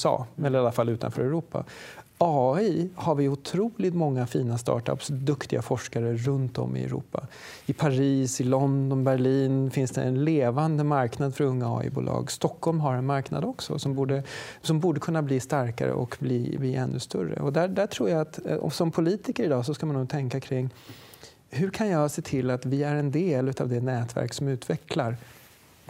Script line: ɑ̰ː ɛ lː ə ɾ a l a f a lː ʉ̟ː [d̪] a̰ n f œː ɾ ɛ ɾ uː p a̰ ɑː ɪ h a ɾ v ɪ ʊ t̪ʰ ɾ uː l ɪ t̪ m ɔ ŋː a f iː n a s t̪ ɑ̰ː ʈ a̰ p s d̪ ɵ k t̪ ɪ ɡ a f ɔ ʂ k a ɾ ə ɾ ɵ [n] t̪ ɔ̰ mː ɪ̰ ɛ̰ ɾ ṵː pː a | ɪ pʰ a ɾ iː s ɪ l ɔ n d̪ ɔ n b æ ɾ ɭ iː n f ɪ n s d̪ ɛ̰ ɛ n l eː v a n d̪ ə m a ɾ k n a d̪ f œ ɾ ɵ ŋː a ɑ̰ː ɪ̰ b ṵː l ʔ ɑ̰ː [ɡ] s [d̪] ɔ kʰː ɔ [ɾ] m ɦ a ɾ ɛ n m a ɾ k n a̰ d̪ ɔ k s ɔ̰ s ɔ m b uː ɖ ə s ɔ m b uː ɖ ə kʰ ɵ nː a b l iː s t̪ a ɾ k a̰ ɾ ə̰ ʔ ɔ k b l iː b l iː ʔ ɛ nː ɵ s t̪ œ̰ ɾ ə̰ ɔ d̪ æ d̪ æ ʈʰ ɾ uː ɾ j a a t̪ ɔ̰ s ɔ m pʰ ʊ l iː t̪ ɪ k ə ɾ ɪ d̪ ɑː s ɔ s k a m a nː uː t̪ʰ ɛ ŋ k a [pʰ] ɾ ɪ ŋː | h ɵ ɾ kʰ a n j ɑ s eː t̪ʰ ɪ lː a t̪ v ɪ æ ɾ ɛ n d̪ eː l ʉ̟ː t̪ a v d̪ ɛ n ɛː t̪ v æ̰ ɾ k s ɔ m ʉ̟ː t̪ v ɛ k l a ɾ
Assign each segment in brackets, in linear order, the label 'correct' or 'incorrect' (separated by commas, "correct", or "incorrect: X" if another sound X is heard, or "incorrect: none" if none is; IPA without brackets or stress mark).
incorrect: t̪, correct, correct, incorrect: t̪, incorrect: l, incorrect: kʰ